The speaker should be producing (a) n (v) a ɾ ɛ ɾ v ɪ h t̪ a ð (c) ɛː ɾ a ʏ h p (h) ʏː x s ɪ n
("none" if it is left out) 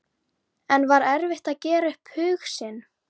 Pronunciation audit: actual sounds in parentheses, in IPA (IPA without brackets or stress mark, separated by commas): ɛ, v, c, h